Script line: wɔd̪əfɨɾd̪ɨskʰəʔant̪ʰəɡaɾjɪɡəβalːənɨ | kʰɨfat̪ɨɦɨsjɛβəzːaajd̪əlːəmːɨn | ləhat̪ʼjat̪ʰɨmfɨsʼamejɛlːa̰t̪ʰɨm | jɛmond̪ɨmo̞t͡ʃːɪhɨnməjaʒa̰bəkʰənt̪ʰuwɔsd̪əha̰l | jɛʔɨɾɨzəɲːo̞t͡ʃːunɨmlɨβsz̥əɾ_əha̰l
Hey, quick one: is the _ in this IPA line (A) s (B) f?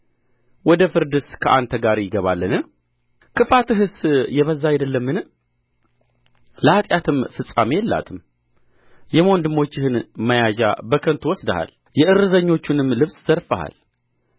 B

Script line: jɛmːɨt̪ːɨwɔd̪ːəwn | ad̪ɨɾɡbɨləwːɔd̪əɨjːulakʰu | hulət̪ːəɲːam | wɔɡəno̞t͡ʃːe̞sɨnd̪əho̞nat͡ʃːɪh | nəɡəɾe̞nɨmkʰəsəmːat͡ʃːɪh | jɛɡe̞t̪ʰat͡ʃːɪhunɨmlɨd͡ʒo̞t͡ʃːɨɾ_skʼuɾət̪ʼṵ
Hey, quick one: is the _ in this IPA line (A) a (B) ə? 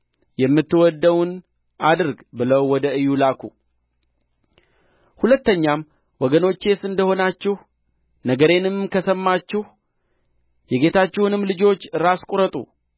A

